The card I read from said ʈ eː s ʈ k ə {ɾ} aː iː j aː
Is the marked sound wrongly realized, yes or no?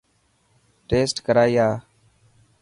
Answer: no